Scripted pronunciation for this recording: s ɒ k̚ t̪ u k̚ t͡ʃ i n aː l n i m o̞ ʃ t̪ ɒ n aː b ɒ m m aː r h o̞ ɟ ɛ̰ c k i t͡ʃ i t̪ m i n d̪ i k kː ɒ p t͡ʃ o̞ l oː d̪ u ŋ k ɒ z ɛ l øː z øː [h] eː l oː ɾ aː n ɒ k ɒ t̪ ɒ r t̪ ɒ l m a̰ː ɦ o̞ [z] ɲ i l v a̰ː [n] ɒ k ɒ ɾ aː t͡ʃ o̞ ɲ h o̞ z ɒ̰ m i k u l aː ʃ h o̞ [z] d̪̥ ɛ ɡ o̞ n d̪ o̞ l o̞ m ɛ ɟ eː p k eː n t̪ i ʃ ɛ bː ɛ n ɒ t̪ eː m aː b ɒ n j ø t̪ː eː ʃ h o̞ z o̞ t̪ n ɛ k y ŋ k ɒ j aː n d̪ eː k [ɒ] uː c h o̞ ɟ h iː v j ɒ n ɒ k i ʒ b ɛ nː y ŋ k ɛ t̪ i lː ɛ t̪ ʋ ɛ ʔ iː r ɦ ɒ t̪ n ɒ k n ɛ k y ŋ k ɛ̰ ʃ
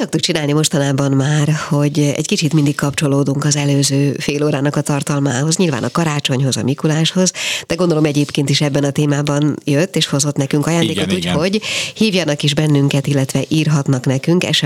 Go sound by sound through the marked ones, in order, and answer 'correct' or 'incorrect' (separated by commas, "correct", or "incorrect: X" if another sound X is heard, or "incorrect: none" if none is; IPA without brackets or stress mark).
incorrect: f, correct, correct, correct, incorrect: o